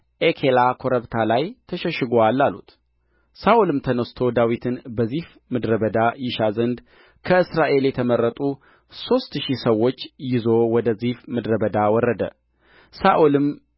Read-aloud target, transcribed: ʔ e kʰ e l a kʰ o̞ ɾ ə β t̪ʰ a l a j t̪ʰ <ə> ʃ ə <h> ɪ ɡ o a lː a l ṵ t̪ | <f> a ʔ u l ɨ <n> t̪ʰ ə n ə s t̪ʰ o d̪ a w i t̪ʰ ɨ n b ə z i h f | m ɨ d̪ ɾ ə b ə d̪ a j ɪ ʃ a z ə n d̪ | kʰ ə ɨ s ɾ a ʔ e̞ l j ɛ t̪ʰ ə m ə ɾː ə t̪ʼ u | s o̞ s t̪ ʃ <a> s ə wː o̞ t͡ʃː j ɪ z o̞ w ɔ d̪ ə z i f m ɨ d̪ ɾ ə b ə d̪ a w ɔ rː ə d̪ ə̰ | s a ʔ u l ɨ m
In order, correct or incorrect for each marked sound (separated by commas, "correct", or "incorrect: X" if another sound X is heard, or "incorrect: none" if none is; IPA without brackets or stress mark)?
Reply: correct, incorrect: ʃ, incorrect: s, incorrect: m, incorrect: i